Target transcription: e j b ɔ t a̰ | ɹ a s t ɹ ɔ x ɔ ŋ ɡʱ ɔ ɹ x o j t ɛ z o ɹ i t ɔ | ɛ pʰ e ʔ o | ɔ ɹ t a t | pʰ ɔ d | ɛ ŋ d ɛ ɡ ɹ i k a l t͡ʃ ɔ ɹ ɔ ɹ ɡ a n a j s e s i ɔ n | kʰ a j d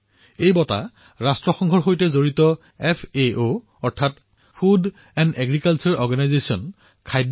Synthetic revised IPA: e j b ɔ t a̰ | ɹ a s t ɹ ɔ x ɔ ŋ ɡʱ ɔ ɹ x o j t ɛ z o ɹ i t ɔ | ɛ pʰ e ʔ o | ɔ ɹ tʰ a t | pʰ u d | ɛ n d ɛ ɡ ɹ i k a l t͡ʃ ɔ ɹ ɔ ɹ ɡ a n a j z e s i ɔ n | kʰ a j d